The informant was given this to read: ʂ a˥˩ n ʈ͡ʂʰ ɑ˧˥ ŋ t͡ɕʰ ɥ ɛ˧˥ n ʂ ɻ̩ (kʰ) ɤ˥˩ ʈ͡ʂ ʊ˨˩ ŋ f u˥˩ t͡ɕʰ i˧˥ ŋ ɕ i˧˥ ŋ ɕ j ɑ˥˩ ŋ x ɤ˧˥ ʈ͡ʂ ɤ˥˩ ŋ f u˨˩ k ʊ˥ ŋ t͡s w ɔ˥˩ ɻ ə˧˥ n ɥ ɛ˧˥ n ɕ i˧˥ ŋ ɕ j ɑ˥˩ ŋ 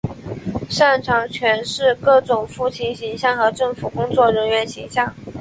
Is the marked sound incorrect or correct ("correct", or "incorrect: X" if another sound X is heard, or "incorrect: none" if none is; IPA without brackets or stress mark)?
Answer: incorrect: k